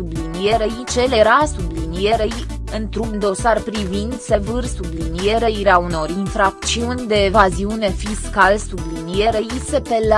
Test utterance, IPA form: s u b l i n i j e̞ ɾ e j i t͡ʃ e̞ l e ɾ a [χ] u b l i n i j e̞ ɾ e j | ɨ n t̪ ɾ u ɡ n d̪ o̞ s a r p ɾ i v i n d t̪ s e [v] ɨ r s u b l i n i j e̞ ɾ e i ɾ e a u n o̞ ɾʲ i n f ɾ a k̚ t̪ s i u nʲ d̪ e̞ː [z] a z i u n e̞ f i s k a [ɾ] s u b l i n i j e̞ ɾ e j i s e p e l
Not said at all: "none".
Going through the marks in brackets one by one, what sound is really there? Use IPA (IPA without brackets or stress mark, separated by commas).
s, v, v, l